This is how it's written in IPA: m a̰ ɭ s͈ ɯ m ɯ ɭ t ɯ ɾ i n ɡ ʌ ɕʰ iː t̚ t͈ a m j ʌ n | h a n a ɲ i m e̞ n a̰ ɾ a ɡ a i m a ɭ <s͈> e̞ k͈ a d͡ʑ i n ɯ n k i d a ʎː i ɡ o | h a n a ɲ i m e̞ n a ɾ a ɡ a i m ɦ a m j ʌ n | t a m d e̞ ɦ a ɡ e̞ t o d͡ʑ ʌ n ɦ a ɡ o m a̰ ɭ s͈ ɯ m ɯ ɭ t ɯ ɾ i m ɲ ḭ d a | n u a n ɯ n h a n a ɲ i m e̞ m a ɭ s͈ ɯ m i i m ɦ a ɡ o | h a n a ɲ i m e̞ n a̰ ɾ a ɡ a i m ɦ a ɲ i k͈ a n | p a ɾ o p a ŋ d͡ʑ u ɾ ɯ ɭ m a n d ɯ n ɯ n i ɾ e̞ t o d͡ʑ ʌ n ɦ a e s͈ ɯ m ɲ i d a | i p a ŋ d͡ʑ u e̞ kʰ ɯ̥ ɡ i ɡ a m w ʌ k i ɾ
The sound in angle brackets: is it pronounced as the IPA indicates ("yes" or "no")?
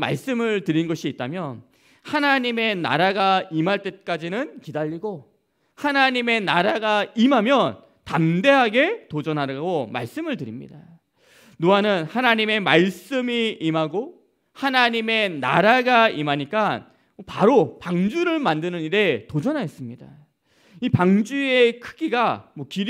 no